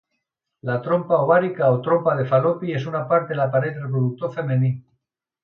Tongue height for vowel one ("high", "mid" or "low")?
low